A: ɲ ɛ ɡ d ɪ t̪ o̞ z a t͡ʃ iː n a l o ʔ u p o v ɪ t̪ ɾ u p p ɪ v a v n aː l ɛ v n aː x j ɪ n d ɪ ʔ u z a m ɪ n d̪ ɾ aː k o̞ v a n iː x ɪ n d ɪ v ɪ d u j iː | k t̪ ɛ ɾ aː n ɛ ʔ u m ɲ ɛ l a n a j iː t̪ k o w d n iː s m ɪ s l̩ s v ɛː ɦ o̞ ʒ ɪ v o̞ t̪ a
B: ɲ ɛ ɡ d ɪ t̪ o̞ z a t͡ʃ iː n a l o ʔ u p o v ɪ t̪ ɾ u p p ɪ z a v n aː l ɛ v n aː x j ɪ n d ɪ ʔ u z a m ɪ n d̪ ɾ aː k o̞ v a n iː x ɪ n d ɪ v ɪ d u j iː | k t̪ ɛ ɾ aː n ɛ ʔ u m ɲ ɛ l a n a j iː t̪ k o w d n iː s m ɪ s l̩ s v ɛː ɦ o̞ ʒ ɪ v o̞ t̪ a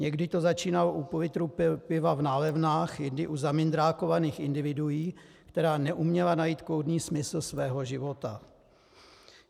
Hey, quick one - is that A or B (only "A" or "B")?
A